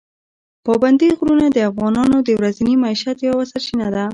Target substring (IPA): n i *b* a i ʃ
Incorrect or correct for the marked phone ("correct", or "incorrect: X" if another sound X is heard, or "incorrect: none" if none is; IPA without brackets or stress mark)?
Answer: incorrect: m